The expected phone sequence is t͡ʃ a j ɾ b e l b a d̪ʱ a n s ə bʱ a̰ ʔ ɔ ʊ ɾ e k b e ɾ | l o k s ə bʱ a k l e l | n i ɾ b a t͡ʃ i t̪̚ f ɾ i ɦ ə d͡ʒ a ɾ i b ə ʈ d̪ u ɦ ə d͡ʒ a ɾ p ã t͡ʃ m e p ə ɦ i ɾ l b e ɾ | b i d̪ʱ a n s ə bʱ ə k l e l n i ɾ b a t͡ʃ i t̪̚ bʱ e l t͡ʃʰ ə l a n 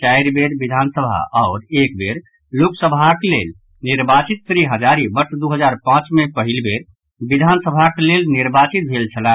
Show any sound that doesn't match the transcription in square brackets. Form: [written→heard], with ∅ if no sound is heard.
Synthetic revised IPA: t͡ʃ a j ɾ b e [l→ɾ] b [a→i] d̪ʱ a n s ə bʱ a̰ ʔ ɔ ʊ ɾ e k b e ɾ | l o k s ə bʱ a k l e l | n i ɾ b a t͡ʃ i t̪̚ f ɾ i ɦ ə d͡ʒ a ɾ i b ə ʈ d̪ u ɦ ə d͡ʒ a ɾ p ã t͡ʃ m e p ə ɦ i [ɾ→∅] l b e ɾ | b i d̪ʱ a n s ə bʱ [ə→a] k l e l n i ɾ b a t͡ʃ i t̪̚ bʱ e l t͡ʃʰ ə l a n